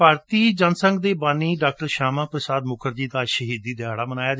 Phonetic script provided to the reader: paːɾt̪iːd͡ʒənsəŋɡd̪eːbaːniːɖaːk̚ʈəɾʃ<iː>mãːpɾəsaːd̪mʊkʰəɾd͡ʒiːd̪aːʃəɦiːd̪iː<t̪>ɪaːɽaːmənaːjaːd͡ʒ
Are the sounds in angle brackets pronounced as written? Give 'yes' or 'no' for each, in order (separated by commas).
no, no